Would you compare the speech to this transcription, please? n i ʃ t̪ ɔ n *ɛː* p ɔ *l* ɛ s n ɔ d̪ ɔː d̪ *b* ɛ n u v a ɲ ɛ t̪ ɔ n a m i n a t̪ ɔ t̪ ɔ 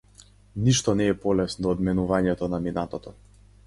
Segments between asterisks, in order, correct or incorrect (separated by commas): correct, correct, incorrect